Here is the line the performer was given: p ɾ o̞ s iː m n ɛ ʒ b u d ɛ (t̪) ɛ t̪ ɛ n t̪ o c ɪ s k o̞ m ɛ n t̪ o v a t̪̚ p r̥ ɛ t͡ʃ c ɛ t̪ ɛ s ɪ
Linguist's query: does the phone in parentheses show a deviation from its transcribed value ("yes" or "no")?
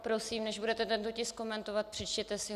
no